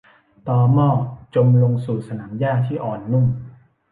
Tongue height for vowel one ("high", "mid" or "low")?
mid